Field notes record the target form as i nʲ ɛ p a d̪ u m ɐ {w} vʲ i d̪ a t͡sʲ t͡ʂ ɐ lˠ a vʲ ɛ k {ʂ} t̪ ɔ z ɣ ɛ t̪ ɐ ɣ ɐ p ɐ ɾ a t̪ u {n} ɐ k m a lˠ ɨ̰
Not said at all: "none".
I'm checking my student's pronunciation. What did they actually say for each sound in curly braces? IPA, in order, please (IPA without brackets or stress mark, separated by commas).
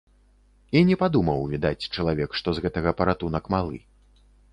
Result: w, ʂ, n